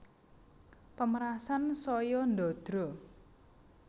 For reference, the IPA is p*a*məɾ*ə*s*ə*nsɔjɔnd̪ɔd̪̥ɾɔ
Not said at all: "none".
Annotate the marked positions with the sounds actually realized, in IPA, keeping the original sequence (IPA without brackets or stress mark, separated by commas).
ə, a, a